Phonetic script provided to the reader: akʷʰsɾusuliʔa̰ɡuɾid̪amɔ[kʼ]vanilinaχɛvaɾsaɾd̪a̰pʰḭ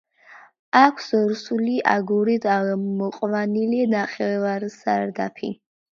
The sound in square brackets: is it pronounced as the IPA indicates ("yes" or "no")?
no